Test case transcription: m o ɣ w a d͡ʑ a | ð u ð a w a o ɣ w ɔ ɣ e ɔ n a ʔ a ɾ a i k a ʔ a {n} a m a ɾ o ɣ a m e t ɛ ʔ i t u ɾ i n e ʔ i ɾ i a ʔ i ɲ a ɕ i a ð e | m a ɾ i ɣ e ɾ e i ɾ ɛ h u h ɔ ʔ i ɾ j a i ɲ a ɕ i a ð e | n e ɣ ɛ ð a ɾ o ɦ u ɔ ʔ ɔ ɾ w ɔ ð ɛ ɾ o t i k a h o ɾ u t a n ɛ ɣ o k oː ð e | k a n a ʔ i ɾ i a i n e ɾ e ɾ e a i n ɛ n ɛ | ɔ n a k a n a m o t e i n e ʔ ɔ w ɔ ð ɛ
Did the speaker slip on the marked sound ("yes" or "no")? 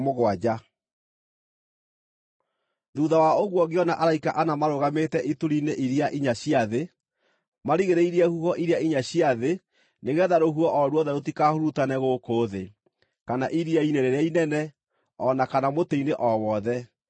no